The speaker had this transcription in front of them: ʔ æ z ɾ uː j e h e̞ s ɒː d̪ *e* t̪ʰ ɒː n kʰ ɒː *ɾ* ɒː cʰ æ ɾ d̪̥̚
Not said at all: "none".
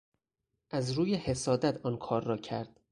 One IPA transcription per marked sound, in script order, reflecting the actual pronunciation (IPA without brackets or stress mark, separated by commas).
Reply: æ, ɾː